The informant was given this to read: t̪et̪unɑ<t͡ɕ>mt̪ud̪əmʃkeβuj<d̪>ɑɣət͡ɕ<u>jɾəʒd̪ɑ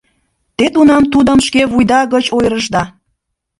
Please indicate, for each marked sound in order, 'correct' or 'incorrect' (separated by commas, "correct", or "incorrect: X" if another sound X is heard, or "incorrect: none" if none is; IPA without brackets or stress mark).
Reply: incorrect: none, correct, incorrect: o